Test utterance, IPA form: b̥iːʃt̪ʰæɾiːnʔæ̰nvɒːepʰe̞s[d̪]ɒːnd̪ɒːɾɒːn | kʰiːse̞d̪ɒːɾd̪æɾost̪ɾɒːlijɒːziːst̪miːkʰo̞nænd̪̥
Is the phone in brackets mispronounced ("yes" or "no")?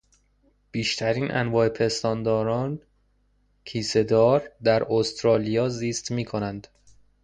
yes